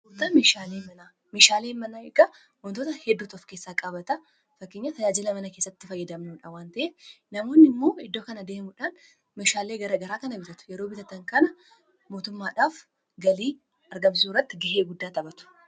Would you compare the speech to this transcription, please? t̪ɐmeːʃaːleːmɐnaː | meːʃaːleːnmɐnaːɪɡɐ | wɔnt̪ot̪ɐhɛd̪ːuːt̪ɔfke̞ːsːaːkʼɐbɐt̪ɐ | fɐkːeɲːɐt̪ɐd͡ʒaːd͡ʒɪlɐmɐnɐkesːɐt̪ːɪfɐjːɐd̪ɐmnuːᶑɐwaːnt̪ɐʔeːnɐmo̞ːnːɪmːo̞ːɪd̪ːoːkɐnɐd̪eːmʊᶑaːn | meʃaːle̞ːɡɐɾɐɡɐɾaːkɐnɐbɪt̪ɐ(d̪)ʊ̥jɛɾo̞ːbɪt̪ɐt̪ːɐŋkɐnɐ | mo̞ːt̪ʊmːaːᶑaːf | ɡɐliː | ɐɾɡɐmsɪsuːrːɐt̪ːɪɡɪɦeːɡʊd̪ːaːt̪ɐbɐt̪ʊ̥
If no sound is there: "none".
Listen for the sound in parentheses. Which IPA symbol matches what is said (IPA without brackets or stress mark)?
t̪